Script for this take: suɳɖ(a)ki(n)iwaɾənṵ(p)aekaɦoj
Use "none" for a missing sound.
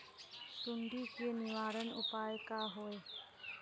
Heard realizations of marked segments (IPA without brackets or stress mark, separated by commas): i, n, p